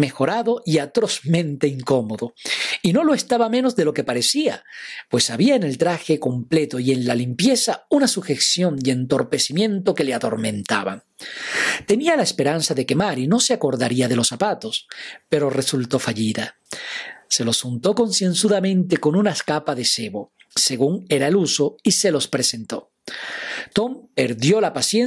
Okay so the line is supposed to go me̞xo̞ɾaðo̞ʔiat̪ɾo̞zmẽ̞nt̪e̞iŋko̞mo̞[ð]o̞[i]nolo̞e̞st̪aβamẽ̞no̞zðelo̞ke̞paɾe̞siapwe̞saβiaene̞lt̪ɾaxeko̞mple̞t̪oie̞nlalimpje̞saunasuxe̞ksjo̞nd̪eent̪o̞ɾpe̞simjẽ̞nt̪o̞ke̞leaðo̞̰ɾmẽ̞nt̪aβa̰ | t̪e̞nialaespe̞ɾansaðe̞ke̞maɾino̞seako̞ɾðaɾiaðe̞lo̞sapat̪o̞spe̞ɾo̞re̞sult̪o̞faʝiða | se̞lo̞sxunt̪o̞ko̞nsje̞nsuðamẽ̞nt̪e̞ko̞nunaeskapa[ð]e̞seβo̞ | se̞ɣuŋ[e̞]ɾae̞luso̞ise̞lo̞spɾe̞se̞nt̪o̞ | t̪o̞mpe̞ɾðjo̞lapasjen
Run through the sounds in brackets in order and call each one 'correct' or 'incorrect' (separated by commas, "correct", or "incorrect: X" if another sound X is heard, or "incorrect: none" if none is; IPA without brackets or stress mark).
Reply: correct, correct, correct, correct